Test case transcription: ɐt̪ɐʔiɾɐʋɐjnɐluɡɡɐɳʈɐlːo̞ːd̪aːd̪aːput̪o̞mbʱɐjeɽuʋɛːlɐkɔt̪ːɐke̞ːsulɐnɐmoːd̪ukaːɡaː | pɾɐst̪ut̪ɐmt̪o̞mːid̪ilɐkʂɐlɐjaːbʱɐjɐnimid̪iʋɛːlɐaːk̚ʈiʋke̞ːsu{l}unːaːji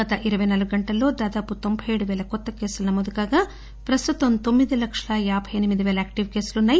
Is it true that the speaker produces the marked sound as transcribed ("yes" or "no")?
yes